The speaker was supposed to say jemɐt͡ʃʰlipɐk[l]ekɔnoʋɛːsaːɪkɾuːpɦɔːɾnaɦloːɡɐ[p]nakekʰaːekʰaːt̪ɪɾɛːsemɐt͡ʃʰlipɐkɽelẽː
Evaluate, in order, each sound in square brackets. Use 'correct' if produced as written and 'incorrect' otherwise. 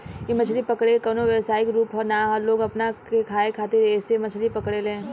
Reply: incorrect: ɽ, correct

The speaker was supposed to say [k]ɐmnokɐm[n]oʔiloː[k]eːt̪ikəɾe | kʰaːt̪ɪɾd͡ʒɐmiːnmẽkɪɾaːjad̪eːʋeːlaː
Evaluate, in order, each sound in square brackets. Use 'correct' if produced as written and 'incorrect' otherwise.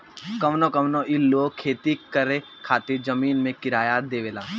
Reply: correct, correct, incorrect: kʰ

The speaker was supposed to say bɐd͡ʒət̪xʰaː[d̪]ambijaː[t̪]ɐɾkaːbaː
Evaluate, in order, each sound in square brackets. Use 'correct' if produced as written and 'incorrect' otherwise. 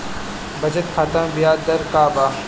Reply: incorrect: t̪, incorrect: d̪

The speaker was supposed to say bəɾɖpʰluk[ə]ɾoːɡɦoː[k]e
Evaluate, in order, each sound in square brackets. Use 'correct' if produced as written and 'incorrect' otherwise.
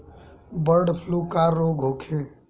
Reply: incorrect: a, incorrect: kʰ

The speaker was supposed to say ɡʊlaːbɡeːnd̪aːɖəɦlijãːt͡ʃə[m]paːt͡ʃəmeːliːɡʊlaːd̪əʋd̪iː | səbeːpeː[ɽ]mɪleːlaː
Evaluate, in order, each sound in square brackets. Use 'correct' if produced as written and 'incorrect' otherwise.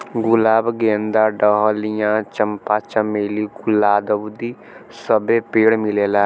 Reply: correct, correct

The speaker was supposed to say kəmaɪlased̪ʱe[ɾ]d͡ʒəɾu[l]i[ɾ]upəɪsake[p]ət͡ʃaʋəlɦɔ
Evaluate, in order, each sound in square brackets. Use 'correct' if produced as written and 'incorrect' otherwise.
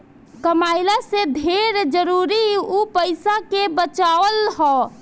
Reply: correct, incorrect: ɾ, incorrect: none, incorrect: b

